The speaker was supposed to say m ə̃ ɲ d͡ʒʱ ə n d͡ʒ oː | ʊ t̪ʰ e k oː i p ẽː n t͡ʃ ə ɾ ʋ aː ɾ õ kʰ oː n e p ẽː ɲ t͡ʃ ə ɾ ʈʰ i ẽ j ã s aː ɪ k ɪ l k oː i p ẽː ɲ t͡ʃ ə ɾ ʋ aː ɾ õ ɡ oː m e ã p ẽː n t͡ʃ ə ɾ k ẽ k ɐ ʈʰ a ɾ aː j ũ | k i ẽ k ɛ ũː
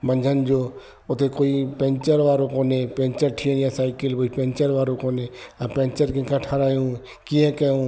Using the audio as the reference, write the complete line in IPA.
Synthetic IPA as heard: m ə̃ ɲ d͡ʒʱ ə n d͡ʒ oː | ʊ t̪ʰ e k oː i p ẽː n t͡ʃ ə ɾ ʋ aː ɾ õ k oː n e p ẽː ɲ t͡ʃ ə ɾ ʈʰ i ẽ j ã s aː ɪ k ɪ l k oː i p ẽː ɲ t͡ʃ ə ɾ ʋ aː ɾ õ k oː n e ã p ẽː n t͡ʃ ə ɾ k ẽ k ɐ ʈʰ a ɾ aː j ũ | k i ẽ k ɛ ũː